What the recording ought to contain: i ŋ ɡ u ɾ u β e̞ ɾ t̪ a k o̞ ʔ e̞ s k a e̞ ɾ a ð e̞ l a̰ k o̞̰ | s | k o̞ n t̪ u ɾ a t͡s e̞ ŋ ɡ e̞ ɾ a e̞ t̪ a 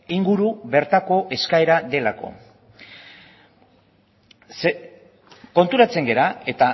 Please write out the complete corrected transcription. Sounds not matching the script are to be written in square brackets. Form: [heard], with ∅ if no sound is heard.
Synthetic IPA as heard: i ŋ ɡ u ɾ u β e̞ ɾ t̪ a k o̞ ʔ e̞ s k a e̞ ɾ a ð e̞ l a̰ k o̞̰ | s | k o̞ n t̪ u ɾ a t͡s e̞ ŋ ɡ e̞ ɾ a e̞ t̪ a

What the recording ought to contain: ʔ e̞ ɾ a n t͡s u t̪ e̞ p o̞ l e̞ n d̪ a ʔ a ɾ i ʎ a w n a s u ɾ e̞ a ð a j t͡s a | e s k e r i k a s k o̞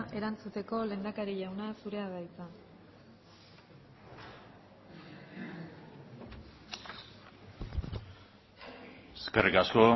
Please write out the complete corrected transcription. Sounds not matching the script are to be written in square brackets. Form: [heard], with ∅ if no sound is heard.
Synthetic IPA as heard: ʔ e̞ ɾ a n t͡s u t̪ e̞ [k] o̞ l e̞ n d̪ a [k] a ɾ i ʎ a w n a s u ɾ e̞ a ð a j t͡s a | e s k e r i k a s k o̞

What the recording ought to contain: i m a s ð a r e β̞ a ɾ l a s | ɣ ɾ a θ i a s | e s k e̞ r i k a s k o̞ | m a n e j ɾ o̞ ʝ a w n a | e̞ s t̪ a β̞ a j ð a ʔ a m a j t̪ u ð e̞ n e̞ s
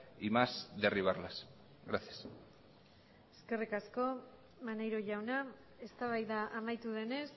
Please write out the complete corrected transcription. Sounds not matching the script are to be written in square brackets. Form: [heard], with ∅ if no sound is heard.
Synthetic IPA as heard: i m a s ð [e] r [i] β̞ a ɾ l a s | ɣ ɾ a θ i a s | e s k e̞ r i k a s k o̞ | m a n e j ɾ o̞ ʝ a w n a | e̞ s t̪ a β̞ a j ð a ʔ a m a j t̪ u ð e̞ n e̞ s

